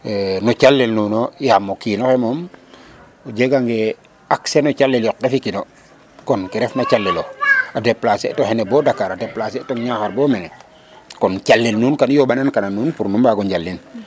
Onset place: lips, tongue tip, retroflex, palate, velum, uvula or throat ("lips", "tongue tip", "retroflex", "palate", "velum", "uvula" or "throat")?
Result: tongue tip